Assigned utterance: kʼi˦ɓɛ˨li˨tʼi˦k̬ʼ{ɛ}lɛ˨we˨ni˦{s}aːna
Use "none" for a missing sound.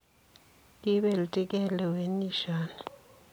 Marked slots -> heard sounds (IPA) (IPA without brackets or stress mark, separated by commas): ɛ, ʃ